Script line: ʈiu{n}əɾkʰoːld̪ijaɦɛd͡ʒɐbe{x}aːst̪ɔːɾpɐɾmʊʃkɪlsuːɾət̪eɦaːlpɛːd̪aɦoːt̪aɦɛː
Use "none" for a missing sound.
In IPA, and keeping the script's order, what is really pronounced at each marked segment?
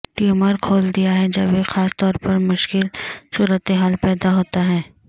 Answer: m, x

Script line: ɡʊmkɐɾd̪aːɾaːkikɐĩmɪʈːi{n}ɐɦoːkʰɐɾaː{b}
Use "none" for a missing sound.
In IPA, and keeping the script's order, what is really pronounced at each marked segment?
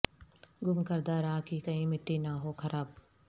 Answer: n, b

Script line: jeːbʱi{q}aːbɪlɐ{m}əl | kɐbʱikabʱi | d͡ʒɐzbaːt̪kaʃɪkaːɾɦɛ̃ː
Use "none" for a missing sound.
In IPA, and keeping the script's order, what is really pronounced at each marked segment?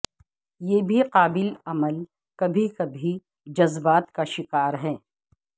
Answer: q, m

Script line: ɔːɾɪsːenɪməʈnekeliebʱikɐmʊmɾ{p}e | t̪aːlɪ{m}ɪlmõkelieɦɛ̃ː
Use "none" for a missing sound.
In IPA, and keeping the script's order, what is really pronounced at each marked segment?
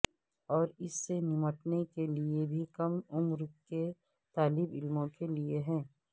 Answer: k, b

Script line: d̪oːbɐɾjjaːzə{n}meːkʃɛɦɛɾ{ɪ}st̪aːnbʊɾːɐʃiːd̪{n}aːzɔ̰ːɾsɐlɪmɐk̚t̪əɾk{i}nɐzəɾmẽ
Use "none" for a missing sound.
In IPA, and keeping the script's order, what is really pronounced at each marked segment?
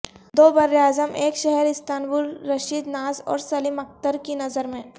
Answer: none, ɪ, n, i

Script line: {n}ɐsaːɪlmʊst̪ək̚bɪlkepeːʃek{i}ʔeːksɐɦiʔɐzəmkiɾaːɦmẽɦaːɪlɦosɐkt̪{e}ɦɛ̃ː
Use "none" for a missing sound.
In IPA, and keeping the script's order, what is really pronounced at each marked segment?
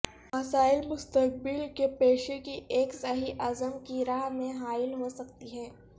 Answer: m, i, i

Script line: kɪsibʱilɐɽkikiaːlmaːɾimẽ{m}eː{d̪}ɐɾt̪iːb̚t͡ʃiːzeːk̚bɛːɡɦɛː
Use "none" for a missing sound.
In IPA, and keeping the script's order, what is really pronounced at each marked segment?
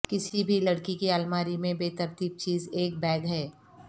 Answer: b, t̪

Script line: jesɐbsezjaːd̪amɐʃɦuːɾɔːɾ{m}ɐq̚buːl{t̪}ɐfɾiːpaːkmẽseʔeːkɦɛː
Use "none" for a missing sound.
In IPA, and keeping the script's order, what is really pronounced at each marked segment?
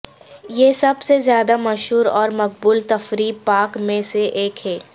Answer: m, t̪

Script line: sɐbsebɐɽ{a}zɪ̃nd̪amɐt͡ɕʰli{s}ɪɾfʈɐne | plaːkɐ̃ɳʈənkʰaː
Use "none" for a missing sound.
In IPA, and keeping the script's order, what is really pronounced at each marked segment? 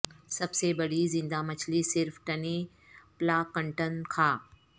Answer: i, s

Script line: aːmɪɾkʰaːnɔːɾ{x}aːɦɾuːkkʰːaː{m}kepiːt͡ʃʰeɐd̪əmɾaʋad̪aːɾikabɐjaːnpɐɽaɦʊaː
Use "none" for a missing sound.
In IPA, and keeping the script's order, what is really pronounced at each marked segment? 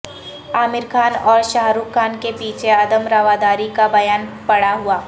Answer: ʃ, n

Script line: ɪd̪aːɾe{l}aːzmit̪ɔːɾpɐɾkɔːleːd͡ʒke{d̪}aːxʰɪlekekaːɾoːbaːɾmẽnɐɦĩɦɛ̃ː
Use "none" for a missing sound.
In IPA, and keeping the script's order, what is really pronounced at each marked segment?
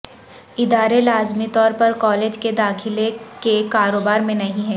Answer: l, d̪

